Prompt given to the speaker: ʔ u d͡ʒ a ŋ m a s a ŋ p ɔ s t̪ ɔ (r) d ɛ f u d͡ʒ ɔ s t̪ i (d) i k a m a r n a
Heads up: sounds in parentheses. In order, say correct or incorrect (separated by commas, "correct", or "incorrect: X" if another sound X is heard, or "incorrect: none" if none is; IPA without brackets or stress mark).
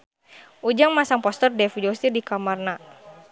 correct, correct